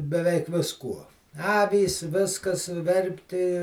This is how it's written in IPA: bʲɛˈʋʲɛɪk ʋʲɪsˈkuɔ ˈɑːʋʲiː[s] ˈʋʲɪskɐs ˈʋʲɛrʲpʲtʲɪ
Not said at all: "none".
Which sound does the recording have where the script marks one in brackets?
s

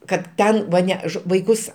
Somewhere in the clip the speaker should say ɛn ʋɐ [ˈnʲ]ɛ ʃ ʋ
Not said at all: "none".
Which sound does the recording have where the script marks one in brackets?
nʲ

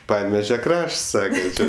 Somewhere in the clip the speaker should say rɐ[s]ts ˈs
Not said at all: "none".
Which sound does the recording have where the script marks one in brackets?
ʃ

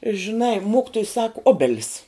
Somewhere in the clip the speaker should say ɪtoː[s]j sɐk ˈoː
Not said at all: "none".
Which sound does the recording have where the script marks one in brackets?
none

